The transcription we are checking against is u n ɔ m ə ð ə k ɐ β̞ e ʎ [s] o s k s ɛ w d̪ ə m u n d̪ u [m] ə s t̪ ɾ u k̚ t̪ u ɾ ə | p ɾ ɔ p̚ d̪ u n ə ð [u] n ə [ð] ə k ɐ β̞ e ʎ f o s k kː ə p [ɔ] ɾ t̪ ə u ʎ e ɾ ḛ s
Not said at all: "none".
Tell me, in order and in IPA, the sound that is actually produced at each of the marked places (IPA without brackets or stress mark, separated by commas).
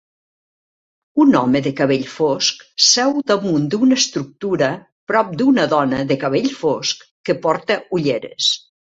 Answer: f, n, ɔ, ð, ɔ